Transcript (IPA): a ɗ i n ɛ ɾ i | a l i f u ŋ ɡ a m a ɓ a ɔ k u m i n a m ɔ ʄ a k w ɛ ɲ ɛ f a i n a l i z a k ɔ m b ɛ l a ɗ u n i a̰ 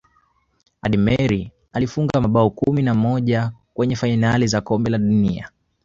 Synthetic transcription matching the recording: a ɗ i m ɛ ɾ i | a l i f u ŋ ɡ a m a ɓ a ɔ k u m i n a m ɔ ʄ a k w ɛ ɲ ɛ f a i n a l i z a k ɔ m b ɛ l a ɗ u n i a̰